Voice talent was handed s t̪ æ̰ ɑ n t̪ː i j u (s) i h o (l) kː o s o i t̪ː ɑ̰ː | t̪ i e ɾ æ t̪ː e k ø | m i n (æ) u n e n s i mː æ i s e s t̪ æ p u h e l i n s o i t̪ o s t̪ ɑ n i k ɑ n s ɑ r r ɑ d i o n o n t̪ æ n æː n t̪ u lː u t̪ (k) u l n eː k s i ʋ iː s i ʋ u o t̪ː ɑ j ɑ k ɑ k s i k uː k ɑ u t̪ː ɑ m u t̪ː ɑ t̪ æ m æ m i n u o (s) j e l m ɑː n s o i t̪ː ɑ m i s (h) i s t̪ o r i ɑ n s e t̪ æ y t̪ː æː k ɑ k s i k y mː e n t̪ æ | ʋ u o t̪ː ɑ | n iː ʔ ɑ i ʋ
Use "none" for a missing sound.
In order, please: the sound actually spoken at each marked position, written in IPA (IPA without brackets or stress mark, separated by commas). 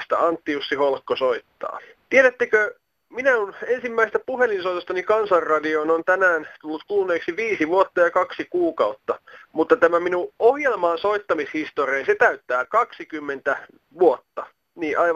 sː, l, æ, k, h, h